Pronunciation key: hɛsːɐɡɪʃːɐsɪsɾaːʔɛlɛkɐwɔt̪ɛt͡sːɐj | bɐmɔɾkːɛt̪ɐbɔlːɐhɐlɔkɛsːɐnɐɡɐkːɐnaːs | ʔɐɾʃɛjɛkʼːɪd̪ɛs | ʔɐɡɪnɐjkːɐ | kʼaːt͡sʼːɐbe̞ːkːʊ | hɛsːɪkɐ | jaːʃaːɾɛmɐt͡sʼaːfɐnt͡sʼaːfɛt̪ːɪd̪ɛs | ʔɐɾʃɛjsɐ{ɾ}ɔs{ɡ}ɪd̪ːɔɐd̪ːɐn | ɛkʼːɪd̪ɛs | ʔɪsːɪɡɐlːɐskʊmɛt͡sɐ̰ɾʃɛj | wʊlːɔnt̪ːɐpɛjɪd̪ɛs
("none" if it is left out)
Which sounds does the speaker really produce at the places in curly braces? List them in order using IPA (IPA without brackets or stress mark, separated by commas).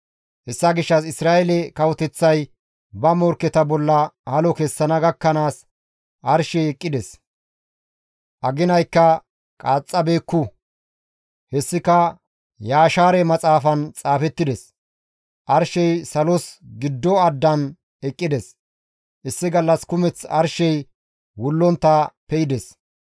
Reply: l, ɡ